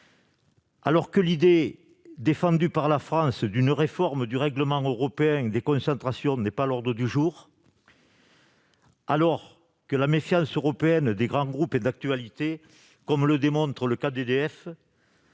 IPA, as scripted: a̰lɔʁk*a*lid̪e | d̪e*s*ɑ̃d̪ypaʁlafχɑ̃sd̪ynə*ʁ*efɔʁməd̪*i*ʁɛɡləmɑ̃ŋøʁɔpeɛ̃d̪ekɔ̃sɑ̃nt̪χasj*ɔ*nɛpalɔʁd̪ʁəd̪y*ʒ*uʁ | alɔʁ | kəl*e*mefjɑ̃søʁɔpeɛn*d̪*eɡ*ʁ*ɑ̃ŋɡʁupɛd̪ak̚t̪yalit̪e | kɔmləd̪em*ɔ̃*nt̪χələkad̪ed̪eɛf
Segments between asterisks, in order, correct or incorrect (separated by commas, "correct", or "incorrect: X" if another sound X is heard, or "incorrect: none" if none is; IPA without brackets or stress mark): incorrect: ə, incorrect: f, correct, incorrect: y, incorrect: ɔ̃, correct, incorrect: a, correct, correct, correct